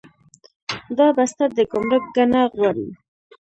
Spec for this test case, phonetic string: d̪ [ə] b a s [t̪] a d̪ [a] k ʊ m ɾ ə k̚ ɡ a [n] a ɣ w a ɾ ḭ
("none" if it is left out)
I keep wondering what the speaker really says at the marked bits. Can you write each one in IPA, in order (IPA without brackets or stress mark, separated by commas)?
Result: ɑ, t̪, ə, n